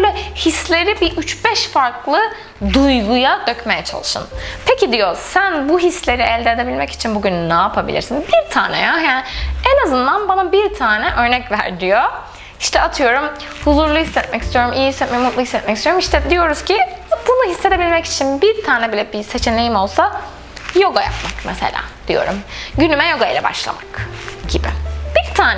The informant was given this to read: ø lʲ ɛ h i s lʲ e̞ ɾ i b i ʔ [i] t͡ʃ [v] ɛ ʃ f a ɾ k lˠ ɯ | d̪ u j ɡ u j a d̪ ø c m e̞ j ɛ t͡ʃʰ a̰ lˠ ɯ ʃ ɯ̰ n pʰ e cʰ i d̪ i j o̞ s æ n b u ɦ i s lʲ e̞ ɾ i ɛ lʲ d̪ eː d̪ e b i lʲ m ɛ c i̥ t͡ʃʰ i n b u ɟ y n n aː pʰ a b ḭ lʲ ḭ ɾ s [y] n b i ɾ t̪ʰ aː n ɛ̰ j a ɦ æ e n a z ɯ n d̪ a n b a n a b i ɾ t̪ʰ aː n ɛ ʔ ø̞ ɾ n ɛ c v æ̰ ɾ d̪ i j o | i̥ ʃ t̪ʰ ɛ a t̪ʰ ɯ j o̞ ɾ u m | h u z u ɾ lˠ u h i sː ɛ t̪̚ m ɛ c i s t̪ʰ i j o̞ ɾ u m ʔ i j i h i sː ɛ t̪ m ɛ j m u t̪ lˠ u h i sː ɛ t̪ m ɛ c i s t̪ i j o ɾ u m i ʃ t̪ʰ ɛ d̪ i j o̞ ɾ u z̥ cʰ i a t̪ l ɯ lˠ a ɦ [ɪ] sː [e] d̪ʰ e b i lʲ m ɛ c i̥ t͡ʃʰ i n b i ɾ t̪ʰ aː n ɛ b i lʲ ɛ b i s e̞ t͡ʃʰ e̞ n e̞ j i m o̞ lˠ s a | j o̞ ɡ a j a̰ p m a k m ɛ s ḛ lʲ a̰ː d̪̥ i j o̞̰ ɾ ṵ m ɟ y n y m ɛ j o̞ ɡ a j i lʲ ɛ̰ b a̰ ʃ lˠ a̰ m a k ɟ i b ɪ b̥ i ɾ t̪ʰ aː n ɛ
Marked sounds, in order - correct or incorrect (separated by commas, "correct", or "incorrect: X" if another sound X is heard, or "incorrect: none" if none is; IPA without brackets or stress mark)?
incorrect: y, incorrect: b, incorrect: i, incorrect: i, correct